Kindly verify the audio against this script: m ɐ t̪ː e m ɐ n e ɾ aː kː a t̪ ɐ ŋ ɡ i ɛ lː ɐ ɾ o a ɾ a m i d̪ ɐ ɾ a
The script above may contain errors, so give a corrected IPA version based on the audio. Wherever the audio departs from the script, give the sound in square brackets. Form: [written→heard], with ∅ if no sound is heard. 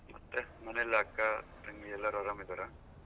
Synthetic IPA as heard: m ɐ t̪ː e m ɐ n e [ɾ→l] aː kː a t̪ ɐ ŋ ɡ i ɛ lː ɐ ɾ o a ɾ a m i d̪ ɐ ɾ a